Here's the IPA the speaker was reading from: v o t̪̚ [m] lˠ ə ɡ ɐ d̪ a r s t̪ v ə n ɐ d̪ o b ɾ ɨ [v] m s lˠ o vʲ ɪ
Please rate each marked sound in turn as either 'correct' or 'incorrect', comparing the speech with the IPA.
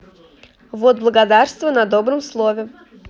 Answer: incorrect, incorrect

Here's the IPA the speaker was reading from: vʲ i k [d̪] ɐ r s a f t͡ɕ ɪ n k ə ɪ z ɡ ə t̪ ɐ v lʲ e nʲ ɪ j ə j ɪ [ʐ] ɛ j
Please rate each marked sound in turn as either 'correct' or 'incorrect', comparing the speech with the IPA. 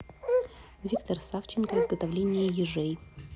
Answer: incorrect, correct

